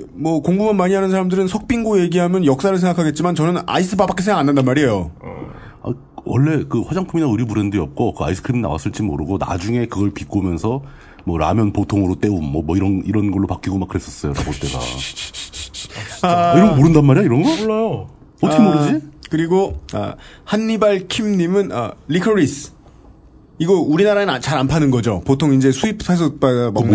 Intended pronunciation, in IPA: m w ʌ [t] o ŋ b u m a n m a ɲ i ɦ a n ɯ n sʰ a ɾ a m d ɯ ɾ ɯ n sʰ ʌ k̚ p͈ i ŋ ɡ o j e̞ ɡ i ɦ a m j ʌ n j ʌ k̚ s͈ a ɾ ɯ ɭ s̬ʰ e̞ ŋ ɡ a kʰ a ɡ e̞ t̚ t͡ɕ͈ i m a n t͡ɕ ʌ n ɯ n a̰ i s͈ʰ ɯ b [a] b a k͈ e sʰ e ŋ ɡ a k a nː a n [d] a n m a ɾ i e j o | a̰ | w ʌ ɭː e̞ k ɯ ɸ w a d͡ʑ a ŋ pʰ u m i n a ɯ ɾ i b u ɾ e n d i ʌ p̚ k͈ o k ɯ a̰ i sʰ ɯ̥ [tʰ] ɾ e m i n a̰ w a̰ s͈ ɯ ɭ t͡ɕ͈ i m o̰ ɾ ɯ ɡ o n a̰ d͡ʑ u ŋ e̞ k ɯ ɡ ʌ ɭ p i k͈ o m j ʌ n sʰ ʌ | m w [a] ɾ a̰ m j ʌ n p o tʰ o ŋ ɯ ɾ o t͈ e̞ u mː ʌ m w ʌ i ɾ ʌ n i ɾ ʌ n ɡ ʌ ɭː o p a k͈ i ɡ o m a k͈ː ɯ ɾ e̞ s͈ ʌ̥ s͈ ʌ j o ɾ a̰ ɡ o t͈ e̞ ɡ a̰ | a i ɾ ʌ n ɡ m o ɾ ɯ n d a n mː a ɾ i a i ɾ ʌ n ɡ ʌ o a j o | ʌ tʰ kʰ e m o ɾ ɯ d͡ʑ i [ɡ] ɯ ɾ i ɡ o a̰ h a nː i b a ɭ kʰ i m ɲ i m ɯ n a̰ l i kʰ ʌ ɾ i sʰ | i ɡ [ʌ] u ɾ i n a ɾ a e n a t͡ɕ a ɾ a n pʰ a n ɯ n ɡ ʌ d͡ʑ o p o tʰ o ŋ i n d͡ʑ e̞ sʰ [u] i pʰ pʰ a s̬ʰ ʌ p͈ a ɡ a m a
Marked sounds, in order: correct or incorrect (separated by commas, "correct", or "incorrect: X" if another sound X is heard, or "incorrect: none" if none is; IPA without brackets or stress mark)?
incorrect: k, correct, correct, incorrect: kʰ, incorrect: ʌ, incorrect: k, correct, correct